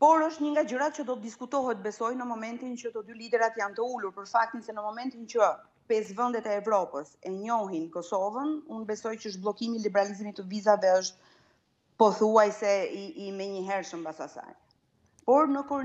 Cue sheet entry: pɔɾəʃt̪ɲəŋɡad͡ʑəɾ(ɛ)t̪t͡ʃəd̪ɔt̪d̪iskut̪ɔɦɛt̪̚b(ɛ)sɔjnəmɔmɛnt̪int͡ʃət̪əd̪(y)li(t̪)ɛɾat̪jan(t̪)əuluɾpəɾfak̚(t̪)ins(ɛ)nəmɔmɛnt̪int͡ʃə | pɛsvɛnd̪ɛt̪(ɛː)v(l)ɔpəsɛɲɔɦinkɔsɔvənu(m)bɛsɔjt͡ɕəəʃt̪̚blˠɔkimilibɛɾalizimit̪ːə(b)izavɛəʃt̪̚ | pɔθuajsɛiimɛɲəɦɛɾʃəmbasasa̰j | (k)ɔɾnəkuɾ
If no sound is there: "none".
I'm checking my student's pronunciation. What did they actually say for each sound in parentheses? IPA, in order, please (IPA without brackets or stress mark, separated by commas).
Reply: a, ɛ, y, d̪, t̪, t̪, ɛ, ɛː, ɾ, n, v, p